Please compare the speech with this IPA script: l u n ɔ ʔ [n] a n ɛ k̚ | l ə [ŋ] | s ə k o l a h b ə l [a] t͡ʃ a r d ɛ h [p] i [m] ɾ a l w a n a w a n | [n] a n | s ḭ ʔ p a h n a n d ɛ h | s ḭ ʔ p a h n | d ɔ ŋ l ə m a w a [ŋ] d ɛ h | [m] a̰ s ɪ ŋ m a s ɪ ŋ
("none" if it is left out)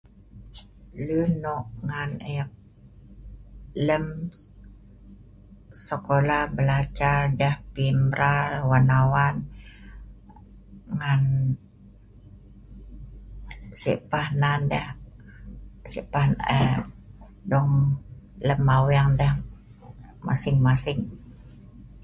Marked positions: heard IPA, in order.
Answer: ŋ, m, a, p, m, ŋ, ŋ, m

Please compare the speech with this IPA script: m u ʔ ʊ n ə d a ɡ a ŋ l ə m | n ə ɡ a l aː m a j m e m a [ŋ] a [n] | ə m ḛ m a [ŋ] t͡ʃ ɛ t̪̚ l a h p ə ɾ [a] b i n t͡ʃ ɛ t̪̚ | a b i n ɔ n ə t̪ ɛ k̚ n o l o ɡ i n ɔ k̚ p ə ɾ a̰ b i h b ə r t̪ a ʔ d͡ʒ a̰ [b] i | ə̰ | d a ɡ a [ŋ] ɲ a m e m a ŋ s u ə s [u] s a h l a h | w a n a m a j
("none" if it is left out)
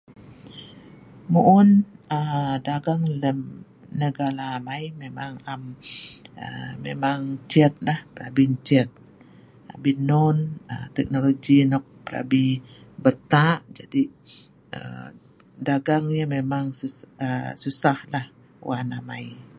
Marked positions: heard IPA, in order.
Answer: ŋ, m, ŋ, a, d, ŋ, u

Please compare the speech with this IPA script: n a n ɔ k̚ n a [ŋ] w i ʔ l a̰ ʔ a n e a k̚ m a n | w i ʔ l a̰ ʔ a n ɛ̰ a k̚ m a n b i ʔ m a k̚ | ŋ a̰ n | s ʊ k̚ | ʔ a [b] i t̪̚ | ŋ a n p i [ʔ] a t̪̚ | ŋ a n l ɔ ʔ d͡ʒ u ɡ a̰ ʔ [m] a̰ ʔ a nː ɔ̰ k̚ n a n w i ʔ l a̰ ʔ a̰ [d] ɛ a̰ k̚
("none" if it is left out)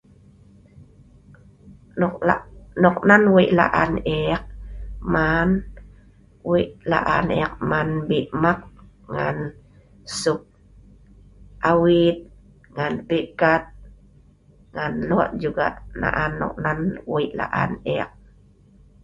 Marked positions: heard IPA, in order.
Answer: n, w, k, n, n

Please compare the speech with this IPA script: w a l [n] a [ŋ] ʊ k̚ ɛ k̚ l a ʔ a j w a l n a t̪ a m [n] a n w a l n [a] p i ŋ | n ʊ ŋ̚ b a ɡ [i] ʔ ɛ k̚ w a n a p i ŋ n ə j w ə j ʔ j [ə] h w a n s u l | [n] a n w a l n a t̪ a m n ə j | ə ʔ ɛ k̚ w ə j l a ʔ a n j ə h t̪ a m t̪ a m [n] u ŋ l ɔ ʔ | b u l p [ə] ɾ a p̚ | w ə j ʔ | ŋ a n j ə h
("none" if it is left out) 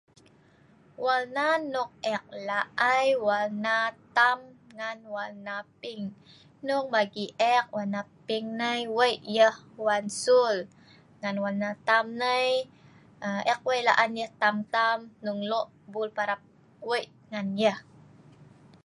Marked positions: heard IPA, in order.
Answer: n, n, ŋ, a, i, ə, ŋ, n, a

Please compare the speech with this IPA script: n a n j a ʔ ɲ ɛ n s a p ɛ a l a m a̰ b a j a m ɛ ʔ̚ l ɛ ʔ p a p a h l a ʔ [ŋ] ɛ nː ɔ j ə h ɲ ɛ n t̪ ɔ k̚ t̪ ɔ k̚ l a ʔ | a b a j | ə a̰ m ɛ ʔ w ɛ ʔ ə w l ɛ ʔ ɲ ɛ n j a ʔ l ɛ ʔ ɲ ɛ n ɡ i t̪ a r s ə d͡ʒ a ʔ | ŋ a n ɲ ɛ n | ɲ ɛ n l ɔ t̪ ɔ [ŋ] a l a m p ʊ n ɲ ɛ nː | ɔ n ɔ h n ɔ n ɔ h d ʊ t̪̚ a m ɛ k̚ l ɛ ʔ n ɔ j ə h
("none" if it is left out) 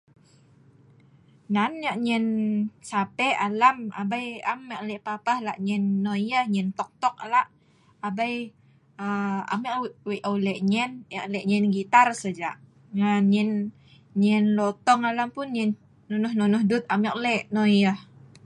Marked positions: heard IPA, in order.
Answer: ɲ, ŋ

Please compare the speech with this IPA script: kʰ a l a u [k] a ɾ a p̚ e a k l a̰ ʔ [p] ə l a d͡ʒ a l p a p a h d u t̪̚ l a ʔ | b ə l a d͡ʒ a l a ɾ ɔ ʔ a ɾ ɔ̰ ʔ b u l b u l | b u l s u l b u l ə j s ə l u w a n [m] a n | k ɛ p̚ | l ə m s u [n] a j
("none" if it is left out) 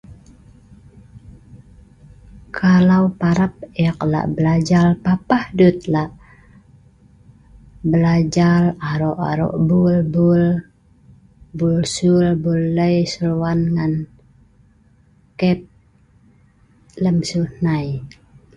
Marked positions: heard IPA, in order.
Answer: p, b, ŋ, n

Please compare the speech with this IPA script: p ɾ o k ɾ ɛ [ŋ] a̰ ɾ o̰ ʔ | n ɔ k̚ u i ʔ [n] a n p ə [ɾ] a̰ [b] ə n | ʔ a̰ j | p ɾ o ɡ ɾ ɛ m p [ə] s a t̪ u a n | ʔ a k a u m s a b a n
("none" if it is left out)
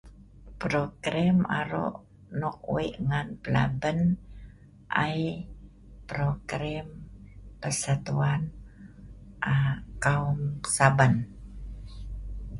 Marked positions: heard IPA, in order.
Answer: m, ŋ, l, b, ə

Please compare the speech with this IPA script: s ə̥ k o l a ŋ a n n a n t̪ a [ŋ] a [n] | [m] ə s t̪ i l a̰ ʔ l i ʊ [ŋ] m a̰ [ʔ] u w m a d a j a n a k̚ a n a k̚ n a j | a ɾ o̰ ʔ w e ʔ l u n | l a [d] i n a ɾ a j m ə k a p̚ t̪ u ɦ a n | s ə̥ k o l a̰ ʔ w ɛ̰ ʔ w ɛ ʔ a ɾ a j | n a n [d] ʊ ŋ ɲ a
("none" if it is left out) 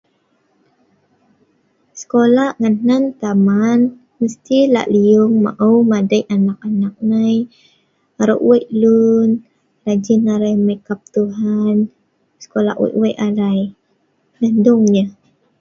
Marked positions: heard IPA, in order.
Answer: m, n, m, ŋ, ʔ, d͡ʒ, d

